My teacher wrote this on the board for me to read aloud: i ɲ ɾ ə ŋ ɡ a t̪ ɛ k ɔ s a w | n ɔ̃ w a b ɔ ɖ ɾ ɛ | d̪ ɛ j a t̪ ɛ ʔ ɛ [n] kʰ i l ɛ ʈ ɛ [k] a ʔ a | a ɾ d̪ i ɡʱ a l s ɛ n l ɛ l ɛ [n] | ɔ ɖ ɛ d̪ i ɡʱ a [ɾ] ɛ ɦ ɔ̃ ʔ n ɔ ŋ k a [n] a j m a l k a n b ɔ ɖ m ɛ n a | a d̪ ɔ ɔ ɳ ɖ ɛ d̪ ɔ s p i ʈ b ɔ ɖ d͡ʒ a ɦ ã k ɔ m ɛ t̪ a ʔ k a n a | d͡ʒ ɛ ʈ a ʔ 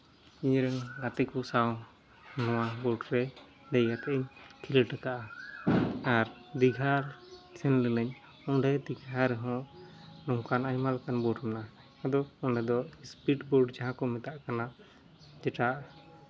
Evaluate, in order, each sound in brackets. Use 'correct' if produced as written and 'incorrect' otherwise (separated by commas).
incorrect, correct, incorrect, correct, correct